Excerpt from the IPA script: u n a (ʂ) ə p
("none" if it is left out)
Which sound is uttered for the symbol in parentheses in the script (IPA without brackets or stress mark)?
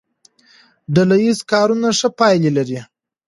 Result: ʂ